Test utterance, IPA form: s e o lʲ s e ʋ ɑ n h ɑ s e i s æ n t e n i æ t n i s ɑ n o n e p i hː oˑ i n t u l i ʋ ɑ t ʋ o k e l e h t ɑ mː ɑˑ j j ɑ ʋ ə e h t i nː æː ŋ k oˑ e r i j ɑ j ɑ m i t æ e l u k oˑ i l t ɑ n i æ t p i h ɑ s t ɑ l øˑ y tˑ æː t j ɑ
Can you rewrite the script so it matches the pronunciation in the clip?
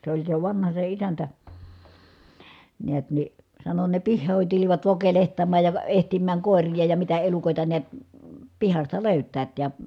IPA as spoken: s e o lʲ s e ʋ ɑ n h ɑ s e i s æ n t æ n i æ t n i s ɑ n o n e p i hː oˑ i n t u l i ʋ ɑ t ʋ o k e l e h t ɑ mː ɑˑ j j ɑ ʋ ə e h t i mː æː ŋ k oˑ e r i j ɑ j ɑ m i t æ e l u k oˑ i t ɑ n i æ t p i h ɑ s t ɑ l øˑ y tˑ æː t j ɑ